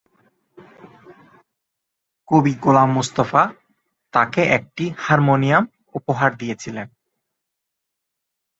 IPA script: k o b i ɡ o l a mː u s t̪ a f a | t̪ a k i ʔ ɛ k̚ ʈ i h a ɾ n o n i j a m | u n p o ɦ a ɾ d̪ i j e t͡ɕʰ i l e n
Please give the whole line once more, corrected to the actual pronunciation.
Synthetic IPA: k o b i ɡ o l a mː u s t̪ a f a | t̪ a k e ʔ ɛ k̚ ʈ i h a ɾ m o n i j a m | u p o ɦ a ɾ d̪ i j e t͡ɕʰ i l e n